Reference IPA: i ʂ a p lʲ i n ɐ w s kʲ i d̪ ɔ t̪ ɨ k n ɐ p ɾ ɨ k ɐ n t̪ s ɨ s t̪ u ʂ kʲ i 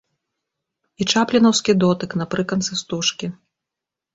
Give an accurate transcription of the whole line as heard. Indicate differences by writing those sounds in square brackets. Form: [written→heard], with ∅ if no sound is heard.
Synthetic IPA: i [ʂ→t͡ʂ] a p lʲ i n ɐ w s kʲ i d̪ ɔ t̪ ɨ k n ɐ p ɾ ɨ k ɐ n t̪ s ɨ s t̪ u ʂ kʲ i